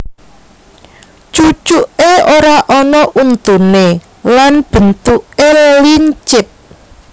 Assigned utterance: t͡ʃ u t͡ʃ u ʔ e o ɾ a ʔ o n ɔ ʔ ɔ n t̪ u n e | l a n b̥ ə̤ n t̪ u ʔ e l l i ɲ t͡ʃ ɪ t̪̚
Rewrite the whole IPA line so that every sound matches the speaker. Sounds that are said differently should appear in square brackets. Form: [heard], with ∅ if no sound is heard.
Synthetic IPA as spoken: t͡ʃ u t͡ʃ u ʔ e o ɾ a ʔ [ɔ] n ɔ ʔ [u] n t̪ u n e | l a n b̥ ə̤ n t̪ u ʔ e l l i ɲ t͡ʃ ɪ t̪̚

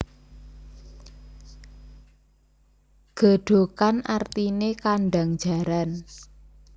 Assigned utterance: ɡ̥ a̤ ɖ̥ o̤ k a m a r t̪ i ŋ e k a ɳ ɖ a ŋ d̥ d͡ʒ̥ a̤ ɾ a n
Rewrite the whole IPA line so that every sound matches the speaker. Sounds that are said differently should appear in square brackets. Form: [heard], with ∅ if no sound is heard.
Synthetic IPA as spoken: ɡ̥ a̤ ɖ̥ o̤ k a [n] a r t̪ i [n] e k a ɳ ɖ a ŋ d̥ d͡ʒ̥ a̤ ɾ a n

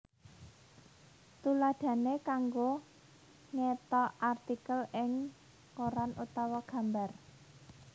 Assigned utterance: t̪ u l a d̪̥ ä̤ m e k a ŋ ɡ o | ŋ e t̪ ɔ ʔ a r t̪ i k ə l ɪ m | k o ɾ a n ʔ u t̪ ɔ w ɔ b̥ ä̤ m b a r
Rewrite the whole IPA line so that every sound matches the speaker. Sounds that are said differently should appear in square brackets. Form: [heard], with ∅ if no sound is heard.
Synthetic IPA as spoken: t̪ u l a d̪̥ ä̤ [n] e k a ŋ ɡ o | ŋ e t̪ ɔ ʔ a r t̪ i k ə l ɪ [ŋ] | k o ɾ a n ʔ u t̪ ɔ w ɔ [ɡ̥] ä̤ m b a r

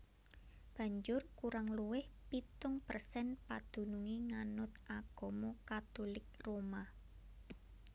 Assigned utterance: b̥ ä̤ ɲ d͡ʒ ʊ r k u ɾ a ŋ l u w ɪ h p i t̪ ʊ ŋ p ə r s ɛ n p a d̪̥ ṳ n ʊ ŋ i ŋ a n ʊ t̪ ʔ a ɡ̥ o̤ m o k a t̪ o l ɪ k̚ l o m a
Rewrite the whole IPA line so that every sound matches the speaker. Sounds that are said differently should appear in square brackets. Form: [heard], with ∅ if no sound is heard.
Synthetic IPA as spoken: b̥ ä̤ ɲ d͡ʒ ʊ r k u ɾ a ŋ l u w ɪ h p i t̪ ʊ ŋ p ə r s ɛ n p a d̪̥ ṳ n [u] ŋ i ŋ a n ʊ t̪ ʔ a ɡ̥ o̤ m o k a t̪ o l ɪ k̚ [r] o m a

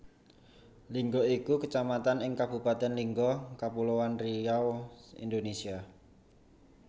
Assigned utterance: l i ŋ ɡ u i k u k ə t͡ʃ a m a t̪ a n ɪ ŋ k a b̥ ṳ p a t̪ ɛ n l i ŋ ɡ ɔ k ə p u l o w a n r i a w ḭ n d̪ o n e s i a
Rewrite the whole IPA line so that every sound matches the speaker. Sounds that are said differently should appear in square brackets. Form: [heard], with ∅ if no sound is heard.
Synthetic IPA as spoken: l i ŋ ɡ [ɔ] i k u k ə t͡ʃ a m a t̪ a n ɪ ŋ k a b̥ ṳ p a t̪ ɛ n l i ŋ ɡ ɔ k [a] p u l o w a n r i a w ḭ n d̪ o n e s i a

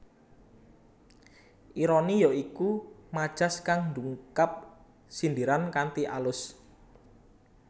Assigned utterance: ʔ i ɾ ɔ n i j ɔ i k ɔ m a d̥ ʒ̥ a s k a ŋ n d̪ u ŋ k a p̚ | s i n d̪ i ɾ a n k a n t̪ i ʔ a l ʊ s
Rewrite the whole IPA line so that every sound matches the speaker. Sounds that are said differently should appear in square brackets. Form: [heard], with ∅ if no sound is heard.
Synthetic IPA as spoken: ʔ i ɾ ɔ n i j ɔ i k [u] m a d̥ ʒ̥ a s k a ŋ n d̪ u ŋ k a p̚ | s i n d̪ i ɾ a n k a n t̪ i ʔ a l ʊ s

